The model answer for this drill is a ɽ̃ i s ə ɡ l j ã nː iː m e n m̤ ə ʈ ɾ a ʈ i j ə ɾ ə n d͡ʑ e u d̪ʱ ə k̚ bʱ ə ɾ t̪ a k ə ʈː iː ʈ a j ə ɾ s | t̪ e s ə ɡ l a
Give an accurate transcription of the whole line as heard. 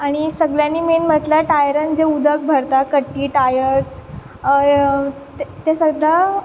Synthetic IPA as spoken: a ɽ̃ i s ə ɡ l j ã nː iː m e n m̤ ə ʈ l a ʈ a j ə ɾ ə n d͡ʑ e u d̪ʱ ə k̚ bʱ ə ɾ t̪ a k ə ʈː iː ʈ a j ə ɾ s | t̪ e s ə ɡ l a